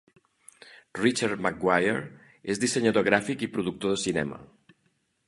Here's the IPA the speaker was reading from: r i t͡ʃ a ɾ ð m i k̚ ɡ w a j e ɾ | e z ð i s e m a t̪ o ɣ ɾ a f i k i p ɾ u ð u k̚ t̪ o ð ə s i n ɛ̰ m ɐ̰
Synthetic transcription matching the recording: r i t͡ʃ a ɾ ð m a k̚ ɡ w a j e ɾ | e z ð i s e ɲ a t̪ o ɣ ɾ a f i k i p ɾ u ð u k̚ t̪ o ð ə s i n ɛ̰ m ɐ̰